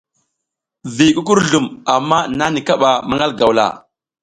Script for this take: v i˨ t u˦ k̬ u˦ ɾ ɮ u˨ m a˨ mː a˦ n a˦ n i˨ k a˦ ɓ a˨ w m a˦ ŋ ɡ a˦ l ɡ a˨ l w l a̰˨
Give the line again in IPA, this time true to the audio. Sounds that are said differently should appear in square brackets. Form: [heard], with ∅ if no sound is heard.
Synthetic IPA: v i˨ [k] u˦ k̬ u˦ ɾ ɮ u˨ m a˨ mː a˦ n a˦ n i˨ k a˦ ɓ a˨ [∅] m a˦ ŋ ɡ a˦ l ɡ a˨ [∅] w l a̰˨